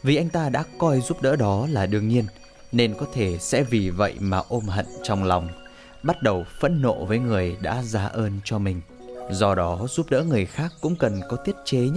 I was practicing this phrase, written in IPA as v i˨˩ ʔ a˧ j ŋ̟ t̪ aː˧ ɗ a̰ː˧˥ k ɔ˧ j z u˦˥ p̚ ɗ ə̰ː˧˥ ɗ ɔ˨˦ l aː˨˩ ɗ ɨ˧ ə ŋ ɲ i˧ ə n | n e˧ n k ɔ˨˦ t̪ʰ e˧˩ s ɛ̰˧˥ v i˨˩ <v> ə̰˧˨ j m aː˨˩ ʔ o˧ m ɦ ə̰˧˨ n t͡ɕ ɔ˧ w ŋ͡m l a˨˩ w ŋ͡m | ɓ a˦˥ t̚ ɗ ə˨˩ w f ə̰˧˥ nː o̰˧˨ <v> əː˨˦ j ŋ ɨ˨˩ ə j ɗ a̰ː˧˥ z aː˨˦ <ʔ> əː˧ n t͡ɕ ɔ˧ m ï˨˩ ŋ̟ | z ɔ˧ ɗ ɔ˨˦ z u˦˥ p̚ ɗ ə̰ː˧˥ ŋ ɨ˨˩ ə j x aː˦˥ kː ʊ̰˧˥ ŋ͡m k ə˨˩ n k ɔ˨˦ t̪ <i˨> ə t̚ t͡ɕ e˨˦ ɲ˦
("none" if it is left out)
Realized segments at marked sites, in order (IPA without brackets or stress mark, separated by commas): v, v, ʔ, i˦˥